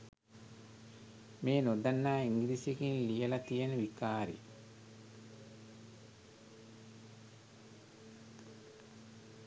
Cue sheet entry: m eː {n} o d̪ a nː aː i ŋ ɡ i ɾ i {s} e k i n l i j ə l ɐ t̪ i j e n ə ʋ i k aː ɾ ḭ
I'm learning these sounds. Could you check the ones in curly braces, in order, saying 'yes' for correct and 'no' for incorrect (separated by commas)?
yes, yes